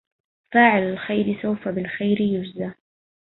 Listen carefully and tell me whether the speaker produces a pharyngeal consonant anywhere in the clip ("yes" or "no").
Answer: yes